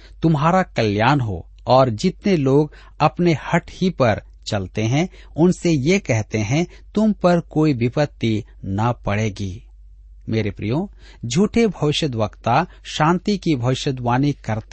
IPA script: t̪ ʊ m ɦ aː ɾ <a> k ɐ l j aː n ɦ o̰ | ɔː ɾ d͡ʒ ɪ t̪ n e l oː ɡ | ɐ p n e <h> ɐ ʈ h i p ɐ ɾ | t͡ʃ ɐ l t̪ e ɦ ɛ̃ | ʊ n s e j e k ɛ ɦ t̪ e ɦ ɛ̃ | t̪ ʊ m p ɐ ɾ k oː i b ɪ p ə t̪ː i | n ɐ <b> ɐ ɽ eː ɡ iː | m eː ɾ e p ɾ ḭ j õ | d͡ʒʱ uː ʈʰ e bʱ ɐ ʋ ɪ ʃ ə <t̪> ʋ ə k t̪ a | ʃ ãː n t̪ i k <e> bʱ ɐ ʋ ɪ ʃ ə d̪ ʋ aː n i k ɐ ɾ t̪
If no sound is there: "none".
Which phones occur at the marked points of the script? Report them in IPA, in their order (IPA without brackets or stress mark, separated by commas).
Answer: a, h, p, d̪, i